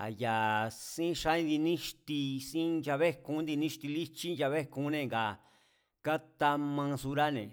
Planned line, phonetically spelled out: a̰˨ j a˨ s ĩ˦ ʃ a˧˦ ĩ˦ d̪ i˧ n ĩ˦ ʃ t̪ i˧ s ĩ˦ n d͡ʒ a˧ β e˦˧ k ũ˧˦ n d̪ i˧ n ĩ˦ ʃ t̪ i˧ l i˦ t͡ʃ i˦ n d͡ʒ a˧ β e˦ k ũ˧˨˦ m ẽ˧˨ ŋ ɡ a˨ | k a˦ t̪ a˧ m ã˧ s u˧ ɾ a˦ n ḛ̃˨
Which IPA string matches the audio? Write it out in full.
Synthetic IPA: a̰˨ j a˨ s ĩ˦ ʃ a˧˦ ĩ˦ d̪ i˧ n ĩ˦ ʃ t̪ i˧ s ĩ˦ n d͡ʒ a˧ β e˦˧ k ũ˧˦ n d̪ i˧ n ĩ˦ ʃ t̪ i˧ l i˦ t͡ʃ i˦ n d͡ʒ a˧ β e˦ k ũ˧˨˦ n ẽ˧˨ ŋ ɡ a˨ | k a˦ t̪ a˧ m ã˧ s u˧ ɾ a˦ n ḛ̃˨

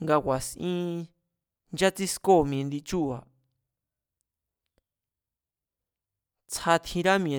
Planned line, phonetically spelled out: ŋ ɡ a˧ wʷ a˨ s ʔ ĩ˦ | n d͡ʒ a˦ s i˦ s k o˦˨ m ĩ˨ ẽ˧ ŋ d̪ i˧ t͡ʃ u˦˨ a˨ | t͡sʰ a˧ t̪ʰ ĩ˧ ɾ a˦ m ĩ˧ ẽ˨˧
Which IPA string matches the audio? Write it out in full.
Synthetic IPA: ŋ ɡ a˧ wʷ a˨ s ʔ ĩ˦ | n d͡ʒ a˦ t͡s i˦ s k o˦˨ m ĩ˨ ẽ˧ n d̪ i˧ t͡ʃ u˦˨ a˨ | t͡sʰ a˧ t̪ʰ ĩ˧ ɾ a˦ m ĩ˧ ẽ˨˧

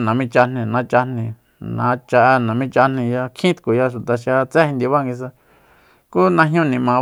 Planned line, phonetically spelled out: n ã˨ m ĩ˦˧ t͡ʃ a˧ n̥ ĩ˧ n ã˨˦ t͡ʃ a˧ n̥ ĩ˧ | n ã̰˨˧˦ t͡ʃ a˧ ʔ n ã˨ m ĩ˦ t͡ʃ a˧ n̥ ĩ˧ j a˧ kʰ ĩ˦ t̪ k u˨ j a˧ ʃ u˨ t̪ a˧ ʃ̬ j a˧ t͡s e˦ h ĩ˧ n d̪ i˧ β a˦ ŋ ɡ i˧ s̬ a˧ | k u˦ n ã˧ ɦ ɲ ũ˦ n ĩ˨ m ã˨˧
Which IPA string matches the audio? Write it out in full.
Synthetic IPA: n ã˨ m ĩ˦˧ t͡ʃ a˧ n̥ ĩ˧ n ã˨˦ t͡ʃ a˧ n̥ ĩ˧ | n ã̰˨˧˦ t͡ʃ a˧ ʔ n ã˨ m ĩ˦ t͡ʃ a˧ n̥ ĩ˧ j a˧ kʰ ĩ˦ t̪ k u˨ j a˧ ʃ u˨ t̪ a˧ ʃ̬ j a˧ t͡s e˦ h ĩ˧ n d̪ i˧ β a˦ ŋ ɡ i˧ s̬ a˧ | k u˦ n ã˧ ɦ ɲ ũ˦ n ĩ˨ m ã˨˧

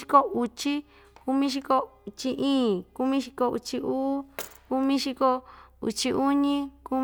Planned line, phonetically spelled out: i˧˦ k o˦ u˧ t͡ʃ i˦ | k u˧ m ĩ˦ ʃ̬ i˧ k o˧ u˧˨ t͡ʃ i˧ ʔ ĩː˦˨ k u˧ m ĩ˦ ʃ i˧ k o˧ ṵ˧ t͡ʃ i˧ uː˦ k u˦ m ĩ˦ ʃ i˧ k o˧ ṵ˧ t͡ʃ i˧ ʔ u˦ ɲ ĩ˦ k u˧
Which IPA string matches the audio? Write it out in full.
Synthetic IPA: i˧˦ k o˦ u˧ t͡ʃ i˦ | k u˧ m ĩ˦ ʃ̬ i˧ k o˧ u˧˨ t͡ʃ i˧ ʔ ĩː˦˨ k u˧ m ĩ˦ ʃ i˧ k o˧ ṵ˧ t͡ʃ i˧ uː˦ k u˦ m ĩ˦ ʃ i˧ k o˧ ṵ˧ t͡ʃ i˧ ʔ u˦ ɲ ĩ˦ k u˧

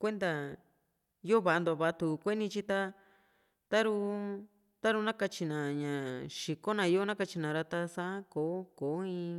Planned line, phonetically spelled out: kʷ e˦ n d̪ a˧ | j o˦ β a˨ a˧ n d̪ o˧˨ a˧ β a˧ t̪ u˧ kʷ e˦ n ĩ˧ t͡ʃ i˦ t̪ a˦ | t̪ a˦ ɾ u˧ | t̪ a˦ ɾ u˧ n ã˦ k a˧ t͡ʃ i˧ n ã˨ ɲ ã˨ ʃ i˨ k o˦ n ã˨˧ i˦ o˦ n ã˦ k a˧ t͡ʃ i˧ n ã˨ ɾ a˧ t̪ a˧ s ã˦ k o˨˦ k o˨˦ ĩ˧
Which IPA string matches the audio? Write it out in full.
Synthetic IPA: kʷ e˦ n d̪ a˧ | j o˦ β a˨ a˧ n d̪ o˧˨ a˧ β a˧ t̪ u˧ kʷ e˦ n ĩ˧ t͡ʃ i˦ t̪ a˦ | t̪ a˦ ɾ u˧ | t̪ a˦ ɾ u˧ n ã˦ k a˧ t͡ʃ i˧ n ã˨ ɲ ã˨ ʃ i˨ k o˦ n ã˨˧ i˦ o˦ n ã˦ k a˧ t͡ʃ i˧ n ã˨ ɾ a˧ t̪ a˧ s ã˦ k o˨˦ k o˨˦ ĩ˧

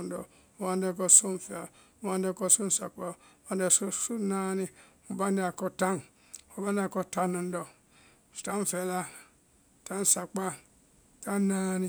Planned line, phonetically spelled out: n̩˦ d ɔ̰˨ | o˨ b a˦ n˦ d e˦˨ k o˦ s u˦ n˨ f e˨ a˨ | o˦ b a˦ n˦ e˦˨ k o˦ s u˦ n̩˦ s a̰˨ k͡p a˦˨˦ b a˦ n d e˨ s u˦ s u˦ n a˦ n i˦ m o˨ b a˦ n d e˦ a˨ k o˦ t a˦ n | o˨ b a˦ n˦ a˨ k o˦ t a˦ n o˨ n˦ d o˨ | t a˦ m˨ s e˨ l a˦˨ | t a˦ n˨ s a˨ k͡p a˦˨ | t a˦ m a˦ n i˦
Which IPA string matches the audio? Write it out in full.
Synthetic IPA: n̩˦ d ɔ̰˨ | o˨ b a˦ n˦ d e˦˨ k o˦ s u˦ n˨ f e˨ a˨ | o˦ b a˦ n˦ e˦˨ k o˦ s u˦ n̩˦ s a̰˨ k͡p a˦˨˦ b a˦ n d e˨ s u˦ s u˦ n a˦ n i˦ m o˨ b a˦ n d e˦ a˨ k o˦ t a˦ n | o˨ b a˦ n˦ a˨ k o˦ t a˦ n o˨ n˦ d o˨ | t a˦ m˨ f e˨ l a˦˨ | t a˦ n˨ s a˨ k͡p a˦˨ | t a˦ n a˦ n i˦

